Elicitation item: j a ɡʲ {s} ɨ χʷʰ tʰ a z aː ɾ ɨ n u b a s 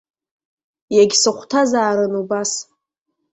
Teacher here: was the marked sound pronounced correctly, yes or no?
yes